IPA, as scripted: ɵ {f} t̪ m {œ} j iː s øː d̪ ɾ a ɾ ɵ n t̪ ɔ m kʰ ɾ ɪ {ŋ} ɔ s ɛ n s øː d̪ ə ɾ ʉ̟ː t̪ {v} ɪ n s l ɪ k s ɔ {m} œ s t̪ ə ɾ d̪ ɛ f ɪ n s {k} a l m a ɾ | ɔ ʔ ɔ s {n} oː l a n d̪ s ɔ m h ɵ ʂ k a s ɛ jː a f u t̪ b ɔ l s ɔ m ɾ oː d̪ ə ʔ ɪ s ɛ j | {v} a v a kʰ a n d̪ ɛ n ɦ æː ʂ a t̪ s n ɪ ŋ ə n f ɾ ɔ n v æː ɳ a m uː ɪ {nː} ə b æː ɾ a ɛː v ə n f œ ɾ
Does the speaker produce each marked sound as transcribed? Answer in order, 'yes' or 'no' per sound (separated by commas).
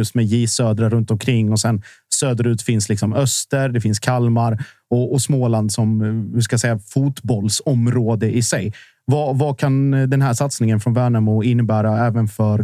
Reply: no, no, no, no, yes, no, no, yes, yes